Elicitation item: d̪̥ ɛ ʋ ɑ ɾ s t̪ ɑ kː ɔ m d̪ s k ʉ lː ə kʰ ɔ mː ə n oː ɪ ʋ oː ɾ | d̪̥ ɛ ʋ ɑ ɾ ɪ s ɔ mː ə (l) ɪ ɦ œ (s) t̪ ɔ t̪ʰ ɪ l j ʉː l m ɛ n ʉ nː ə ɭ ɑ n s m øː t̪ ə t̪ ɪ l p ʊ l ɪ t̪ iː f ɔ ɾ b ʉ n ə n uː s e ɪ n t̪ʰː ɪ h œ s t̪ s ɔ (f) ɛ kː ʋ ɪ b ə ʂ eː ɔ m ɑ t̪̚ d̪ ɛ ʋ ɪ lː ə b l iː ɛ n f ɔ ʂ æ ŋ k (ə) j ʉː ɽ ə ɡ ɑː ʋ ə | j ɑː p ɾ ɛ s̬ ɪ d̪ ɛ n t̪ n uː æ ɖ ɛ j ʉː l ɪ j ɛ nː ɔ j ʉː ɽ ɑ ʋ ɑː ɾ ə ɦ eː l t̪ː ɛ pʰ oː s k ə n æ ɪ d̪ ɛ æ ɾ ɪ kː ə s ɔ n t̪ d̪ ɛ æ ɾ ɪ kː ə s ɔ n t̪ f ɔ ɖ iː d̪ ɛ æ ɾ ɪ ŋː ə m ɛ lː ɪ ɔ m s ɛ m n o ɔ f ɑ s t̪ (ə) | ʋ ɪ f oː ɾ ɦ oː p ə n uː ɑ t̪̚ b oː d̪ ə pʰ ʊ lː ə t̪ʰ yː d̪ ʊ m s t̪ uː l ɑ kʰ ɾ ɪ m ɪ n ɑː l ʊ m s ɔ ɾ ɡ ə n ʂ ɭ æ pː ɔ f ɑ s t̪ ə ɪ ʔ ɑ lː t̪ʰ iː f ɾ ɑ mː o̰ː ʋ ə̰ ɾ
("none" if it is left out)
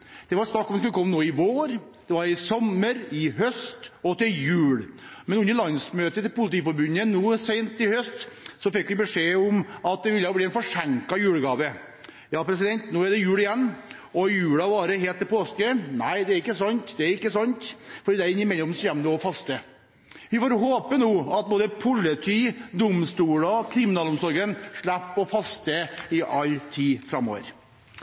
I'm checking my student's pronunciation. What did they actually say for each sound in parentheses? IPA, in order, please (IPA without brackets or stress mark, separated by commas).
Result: ɾ, s, f, ɑ, ə